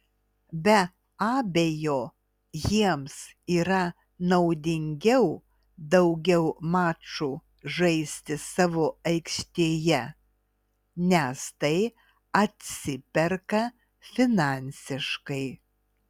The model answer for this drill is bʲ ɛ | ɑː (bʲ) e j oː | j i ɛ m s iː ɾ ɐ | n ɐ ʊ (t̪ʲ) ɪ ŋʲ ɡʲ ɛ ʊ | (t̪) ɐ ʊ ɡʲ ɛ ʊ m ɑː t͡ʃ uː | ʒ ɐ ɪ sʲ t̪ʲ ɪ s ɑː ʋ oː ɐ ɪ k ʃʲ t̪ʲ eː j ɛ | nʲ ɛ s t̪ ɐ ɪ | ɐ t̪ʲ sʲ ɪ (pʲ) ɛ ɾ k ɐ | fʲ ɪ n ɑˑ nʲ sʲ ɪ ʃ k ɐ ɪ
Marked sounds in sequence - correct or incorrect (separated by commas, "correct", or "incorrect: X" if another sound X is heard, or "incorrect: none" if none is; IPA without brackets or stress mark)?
correct, incorrect: d̪ʲ, incorrect: d̪, correct